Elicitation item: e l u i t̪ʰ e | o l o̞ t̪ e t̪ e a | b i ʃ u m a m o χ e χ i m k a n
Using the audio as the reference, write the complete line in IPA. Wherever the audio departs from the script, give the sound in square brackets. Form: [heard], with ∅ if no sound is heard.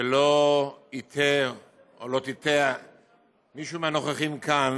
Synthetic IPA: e l [o] i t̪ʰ e | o l o̞ t̪ [i] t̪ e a | [m] i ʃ u m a [n] o χ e χ i m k a n

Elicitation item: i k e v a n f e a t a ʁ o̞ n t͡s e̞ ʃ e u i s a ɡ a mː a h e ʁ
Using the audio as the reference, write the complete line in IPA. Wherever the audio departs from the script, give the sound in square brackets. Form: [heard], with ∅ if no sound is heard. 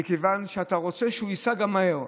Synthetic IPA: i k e v a n [ʃ] e a t a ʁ o̞ [∅] t͡s e̞ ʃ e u i s a ɡ a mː a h e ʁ

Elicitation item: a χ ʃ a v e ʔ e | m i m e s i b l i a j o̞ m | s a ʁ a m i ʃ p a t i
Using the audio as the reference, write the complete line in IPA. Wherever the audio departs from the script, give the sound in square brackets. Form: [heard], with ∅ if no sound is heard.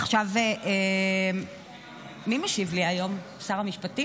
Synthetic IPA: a χ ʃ a v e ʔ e | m i m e [ʃ] i [v] l i a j o̞ m | s a ʁ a m i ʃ p a t i

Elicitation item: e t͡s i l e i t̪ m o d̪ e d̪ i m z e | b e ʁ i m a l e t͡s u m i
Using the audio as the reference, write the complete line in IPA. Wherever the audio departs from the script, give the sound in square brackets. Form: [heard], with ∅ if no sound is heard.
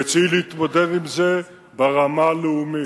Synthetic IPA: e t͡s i l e i t̪ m o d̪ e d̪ i m z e | b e ʁ [a] m a l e [∅] u m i

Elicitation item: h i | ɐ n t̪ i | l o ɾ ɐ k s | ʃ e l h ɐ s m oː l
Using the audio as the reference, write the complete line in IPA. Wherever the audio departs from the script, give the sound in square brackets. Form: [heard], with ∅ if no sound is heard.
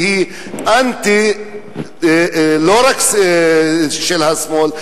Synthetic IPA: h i | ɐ n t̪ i | l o ɾ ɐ k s | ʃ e l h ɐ s m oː l

